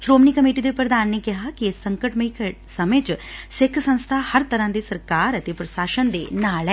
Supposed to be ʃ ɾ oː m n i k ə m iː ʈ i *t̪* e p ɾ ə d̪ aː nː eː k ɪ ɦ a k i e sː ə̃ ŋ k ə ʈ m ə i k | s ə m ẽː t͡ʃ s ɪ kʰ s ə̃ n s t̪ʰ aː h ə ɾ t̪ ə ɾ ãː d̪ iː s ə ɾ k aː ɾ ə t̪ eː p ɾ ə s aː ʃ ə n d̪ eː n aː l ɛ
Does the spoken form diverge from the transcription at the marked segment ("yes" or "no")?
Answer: yes